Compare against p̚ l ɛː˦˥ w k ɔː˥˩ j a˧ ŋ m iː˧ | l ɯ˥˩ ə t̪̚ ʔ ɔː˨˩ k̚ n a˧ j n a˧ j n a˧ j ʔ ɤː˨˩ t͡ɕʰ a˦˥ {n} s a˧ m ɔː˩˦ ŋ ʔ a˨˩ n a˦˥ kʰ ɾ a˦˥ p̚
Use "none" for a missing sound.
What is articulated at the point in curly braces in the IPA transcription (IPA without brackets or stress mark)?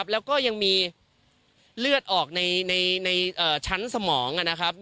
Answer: n